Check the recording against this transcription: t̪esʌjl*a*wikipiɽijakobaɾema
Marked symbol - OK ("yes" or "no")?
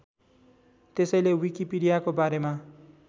no